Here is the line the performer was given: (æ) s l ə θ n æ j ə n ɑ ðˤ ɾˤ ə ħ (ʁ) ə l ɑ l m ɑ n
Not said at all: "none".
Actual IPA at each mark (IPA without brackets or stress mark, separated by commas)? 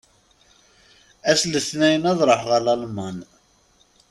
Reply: æ, ʁ